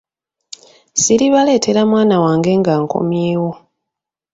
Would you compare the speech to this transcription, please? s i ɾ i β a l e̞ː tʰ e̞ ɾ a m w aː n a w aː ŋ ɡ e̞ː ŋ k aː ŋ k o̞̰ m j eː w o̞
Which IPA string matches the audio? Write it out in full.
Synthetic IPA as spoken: s i ɾ i β a l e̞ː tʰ e̞ ɾ a m w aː n a w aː ŋ ɡ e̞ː ŋ ɡ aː ŋ k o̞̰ m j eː w o̞

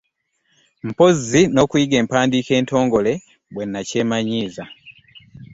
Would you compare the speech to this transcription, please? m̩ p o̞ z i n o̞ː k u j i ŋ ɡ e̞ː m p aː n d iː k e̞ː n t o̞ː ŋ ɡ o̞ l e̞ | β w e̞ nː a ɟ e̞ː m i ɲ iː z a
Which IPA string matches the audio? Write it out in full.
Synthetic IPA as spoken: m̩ p o̞ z i n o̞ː k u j i ɡ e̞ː m p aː n d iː k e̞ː n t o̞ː ŋ ɡ o̞ l e̞ | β w e̞ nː a c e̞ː m a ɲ iː z a

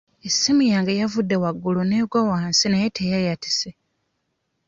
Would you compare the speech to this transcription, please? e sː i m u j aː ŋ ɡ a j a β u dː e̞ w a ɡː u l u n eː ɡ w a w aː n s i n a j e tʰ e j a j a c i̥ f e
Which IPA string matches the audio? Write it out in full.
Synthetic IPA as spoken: e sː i m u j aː ŋ ɡ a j a v u dː e̞ w a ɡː u l u n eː ɡ w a w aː n s i n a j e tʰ e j a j a t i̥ s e

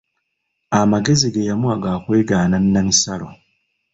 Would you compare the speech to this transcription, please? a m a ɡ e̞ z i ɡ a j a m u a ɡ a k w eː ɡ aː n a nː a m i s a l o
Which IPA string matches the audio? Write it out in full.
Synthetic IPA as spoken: a m a ɡ e̞ z i ɡ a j a m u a ɡ a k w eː ɡ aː n a nː a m i s a l o

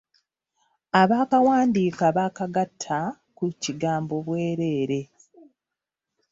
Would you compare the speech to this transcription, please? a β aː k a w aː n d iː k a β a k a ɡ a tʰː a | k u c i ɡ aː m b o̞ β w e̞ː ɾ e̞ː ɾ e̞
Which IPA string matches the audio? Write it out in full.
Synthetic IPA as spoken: a β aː k a w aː n d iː k a β a k a ɡ a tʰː a | k u c i ɡ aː m b o̞ β w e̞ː ɾ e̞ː ɾ e̞

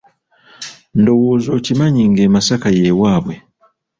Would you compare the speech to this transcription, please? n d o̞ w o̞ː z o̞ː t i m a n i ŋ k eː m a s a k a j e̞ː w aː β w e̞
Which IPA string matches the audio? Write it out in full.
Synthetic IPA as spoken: n d o̞ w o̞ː z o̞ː c i m a ɲ i ŋ ɡ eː m a s a k a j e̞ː w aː β w e̞

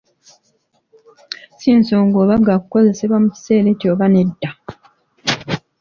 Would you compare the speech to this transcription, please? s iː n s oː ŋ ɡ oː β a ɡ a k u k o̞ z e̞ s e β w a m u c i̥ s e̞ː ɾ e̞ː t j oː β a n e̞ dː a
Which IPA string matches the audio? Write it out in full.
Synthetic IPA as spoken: s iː n s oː ŋ ɡ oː β a ɡ a k u k o̞ z e̞ s e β w a m u c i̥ s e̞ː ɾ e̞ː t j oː β a n e̞ dː a

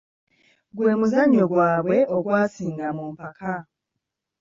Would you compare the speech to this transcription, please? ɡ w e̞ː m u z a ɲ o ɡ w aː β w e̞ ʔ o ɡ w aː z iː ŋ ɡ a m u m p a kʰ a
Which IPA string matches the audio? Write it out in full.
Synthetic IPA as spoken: ɡ w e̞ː m u z a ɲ o ɡ w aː β w e̞ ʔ o ɡ w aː s iː ŋ ɡ a m u m p a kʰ a

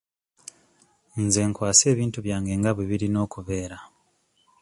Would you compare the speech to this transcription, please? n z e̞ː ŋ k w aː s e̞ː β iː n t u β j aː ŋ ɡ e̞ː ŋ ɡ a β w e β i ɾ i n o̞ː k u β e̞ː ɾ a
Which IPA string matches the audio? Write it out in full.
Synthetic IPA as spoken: n z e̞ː ŋ k w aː s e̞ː β iː n t u β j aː ŋ ɡ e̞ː ŋ ɡ a β w e β i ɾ i n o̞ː k u β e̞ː ɾ a

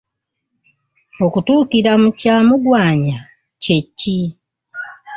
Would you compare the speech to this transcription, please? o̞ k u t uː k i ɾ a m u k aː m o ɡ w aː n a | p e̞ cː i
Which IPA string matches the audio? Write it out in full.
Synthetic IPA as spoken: o̞ k u t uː k i ɾ a m u c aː m u ɡ w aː ɲ a | c e̞ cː i

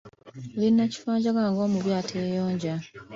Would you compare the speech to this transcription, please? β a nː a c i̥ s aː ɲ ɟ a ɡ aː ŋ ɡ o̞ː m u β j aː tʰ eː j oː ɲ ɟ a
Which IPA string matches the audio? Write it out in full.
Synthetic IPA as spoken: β i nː a c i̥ f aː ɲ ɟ a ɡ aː ŋ ɡ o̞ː m u β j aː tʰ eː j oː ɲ ɟ a

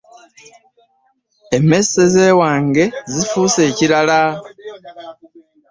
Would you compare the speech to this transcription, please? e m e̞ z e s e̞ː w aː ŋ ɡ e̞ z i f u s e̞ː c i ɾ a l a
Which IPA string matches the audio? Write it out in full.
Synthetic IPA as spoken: e m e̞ s e z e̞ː w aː ŋ ɡ e̞ z i f u s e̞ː c i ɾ a l a

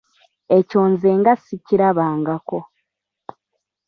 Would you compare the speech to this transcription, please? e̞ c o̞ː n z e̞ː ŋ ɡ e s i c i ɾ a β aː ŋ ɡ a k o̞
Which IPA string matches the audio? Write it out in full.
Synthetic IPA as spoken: e̞ c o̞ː n z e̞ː ŋ ɡ a s i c i ɾ a β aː ŋ ɡ a k o̞

